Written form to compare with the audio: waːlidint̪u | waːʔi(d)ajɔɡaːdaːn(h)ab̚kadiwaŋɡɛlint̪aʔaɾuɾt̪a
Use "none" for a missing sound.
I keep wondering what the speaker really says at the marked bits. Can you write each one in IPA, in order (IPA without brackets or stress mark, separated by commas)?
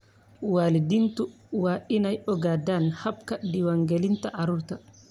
n, h